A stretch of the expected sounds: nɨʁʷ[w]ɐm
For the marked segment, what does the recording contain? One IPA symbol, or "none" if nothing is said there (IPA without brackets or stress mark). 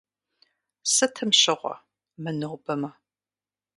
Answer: b